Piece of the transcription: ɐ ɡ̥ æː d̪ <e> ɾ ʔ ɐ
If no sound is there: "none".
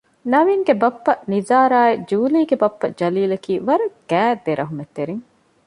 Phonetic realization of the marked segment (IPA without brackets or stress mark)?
e